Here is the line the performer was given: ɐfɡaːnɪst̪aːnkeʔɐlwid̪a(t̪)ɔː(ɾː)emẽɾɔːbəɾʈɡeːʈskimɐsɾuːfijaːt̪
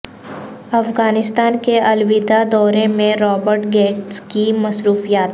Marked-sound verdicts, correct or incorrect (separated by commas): incorrect, incorrect